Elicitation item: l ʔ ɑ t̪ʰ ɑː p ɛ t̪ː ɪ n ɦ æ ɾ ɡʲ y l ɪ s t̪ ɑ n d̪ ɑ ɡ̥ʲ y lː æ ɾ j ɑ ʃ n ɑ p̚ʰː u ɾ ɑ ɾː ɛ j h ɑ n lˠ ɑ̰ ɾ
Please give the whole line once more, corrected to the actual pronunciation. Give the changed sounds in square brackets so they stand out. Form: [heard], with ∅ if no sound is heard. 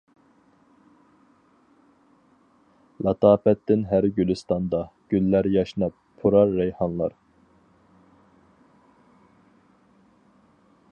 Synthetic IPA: l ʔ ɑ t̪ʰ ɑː p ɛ t̪ː ɪ n ɦ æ ɾ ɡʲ y l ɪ s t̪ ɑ n d̪ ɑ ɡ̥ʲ y lː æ ɾ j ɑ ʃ n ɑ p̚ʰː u ɾ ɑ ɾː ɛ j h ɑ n lˠ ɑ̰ ɾ